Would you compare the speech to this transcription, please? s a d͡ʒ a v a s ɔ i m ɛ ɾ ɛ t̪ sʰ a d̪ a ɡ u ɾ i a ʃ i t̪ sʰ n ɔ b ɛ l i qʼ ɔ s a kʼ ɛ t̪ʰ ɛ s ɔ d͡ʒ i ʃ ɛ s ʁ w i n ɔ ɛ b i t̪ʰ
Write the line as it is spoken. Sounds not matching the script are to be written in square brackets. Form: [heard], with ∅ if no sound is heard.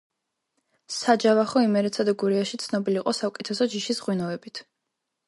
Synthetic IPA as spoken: s a d͡ʒ a v a [χ] ɔ i m ɛ ɾ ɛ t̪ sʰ a d̪ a ɡ u ɾ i a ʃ i t̪ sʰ n ɔ b [i] l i qʼ ɔ s a kʼ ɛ t̪ʰ ɛ s ɔ d͡ʒ i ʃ [i] s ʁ w i n ɔ ɛ b i t̪ʰ